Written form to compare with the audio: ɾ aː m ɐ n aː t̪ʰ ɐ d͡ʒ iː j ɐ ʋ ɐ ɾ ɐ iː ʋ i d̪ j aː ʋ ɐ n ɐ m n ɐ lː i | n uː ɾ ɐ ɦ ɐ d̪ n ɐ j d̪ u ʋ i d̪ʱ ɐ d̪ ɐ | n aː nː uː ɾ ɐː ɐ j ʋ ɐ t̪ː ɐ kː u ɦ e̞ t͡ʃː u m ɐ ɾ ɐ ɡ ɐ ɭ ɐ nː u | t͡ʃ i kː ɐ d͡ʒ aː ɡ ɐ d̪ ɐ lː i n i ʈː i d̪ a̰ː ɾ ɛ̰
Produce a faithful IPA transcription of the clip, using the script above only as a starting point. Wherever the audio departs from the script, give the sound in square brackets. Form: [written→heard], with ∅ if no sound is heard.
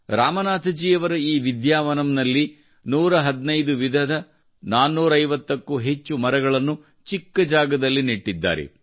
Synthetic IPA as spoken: ɾ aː m ɐ n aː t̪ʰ ɐ d͡ʒ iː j ɐ ʋ ɐ ɾ ɐ iː ʋ i d̪ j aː ʋ ɐ n ɐ m n ɐ lː i | n uː ɾ ɐ ɦ ɐ d̪ n ɐ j d̪ u ʋ i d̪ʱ ɐ d̪ ɐ | n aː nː uː ɾ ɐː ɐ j ʋ ɐ t̪ː ɐ kː u ɦ e̞ t͡ʃː u m ɐ ɾ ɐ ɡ ɐ ɭ ɐ nː u | t͡ʃ i kː ɐ d͡ʒ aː ɡ ɐ d̪ ɐ lː i n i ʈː i [d̪→d̪ː] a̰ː ɾ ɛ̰